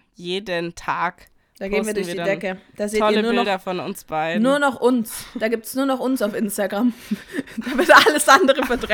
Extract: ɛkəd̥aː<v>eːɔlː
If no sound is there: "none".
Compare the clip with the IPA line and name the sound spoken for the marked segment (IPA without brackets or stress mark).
z